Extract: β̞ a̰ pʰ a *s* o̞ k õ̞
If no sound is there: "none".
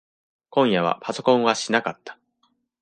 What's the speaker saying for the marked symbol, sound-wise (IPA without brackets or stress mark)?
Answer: s